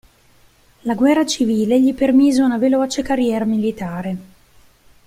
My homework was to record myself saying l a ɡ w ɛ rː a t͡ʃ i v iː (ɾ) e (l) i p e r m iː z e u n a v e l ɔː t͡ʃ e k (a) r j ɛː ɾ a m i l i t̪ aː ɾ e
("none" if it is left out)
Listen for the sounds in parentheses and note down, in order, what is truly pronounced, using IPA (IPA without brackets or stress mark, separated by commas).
l, ʎ, a